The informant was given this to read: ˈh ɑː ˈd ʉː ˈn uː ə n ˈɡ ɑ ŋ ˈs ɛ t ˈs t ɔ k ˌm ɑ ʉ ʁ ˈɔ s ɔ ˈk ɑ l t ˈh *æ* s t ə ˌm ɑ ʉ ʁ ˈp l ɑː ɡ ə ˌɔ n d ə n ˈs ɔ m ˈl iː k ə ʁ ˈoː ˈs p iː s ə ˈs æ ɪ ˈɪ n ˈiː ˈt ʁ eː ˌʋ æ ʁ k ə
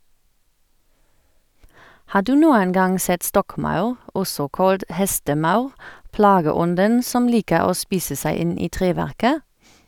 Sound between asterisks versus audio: incorrect: ɛ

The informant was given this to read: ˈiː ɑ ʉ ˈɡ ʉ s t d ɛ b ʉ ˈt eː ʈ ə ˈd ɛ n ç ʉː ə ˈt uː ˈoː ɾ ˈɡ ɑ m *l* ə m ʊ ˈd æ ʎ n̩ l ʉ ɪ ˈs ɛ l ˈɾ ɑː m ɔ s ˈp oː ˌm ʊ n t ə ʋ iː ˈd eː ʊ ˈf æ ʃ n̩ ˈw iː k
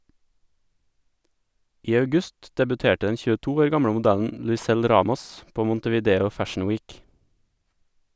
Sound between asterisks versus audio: incorrect: ɽ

